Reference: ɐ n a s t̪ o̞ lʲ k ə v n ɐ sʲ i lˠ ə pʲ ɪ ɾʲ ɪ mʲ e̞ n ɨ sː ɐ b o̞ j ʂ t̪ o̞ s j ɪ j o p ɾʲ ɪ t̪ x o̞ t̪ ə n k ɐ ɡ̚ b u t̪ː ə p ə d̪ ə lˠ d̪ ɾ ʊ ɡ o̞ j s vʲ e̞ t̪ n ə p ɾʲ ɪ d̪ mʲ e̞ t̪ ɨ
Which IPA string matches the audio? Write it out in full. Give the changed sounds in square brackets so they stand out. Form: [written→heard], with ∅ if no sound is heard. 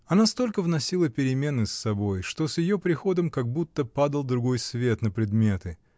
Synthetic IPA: ɐ n a s t̪ o̞ lʲ k ə v n ɐ sʲ i lˠ ə pʲ ɪ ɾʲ ɪ mʲ e̞ n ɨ sː ɐ b o̞ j ʂ t̪ o̞ s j ɪ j o p ɾʲ ɪ [t̪→∅] x o̞ [t̪→d̪] ə [n→m] k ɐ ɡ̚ b u t̪ː ə p [ə→a] d̪ ə lˠ d̪ ɾ ʊ ɡ o̞ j s vʲ e̞ t̪ n ə p ɾʲ ɪ d̪ mʲ e̞ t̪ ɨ